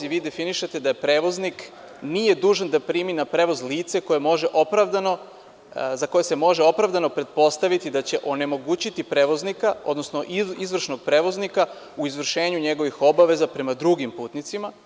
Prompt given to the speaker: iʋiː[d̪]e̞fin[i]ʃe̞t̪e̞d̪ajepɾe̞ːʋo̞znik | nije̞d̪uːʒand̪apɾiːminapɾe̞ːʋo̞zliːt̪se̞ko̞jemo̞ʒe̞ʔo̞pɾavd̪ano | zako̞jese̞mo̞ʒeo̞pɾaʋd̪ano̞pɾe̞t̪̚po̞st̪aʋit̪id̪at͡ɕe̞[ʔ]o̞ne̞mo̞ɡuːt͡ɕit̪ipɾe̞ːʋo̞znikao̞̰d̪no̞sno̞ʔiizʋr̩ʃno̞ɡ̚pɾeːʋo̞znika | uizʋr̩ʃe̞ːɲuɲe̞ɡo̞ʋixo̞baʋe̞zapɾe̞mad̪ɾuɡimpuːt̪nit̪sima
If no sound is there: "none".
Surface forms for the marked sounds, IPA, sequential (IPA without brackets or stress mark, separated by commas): d̪, i, ʔ